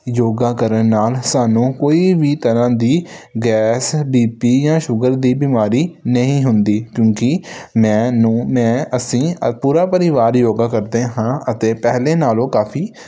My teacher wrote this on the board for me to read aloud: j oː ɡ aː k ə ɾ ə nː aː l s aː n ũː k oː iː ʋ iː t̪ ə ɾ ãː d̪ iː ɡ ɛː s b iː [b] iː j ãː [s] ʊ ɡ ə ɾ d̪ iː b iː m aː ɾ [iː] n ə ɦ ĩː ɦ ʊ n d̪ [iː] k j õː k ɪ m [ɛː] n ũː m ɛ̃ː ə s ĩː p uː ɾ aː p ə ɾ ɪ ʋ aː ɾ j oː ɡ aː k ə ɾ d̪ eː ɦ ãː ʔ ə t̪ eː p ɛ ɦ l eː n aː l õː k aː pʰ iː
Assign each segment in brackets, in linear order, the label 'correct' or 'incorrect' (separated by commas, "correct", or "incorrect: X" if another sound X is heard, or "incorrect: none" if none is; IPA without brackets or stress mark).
incorrect: p, incorrect: ʃ, correct, correct, incorrect: ɛ̃ː